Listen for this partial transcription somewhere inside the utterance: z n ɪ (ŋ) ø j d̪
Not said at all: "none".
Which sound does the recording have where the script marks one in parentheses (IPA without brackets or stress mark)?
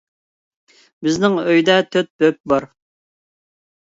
ŋ